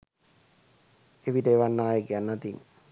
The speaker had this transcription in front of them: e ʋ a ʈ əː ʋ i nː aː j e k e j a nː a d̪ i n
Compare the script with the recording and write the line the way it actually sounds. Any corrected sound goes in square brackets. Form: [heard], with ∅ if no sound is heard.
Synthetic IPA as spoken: e ʋ [i] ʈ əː ʋ [a] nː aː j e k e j a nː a [t̪] i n